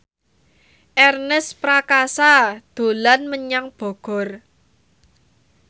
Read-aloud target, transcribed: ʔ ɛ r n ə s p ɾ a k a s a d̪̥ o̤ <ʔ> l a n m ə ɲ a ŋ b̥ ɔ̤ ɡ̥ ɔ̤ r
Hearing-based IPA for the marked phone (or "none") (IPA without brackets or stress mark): none